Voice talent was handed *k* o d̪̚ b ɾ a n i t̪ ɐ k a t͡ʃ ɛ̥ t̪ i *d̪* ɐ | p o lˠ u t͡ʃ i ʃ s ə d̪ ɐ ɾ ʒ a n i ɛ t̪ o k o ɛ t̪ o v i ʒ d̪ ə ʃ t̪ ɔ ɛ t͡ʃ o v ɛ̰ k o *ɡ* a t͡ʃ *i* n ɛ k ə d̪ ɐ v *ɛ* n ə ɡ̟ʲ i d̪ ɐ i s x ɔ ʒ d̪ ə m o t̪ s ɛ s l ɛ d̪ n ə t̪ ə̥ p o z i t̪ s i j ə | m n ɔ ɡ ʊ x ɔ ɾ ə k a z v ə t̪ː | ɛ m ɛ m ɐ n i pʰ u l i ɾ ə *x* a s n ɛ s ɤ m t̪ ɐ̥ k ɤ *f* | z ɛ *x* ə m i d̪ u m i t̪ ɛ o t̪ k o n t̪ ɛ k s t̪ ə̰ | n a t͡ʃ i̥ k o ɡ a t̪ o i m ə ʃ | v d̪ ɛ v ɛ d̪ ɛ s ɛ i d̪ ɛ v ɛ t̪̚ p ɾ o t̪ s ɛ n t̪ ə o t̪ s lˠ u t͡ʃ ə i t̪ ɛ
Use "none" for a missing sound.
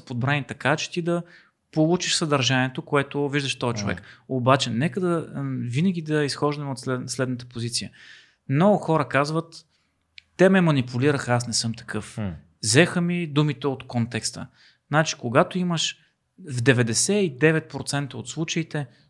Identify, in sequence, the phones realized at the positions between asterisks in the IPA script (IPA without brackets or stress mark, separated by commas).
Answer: p, d̪, b, ɛ, i, x, f, x